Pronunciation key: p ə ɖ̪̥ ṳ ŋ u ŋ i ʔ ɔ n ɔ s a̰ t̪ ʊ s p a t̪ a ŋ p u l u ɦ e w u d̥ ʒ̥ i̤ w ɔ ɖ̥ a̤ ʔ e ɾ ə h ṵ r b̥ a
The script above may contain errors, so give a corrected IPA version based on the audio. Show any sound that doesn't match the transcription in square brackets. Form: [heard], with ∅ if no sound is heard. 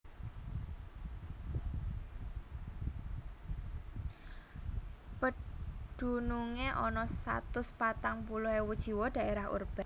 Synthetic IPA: p ə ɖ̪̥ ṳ [n] u ŋ [e] ʔ ɔ n ɔ s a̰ t̪ ʊ s p a t̪ a ŋ p u l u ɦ e w u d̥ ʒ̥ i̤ w ɔ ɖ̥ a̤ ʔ e ɾ [a] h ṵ r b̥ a